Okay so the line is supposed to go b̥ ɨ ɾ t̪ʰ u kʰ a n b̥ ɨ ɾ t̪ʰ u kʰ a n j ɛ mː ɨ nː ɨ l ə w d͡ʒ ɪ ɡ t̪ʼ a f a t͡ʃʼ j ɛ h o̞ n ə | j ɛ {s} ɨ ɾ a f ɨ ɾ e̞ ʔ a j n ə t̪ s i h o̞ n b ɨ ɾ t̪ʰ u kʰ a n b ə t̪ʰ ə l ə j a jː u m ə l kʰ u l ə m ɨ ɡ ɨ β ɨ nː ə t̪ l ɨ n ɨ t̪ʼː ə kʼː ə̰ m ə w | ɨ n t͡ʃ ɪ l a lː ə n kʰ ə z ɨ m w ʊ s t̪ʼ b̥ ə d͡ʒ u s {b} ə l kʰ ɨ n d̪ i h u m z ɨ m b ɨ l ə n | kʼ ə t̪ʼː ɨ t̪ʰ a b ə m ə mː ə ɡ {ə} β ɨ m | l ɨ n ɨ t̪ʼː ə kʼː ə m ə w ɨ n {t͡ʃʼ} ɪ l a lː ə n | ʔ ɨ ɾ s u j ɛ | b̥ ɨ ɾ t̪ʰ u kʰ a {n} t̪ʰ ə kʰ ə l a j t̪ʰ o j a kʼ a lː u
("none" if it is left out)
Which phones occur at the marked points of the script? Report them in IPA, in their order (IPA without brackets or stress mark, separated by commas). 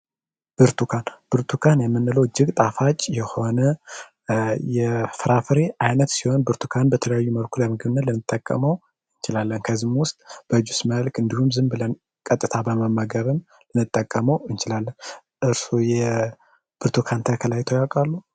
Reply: f, m, ə, t͡ʃ, n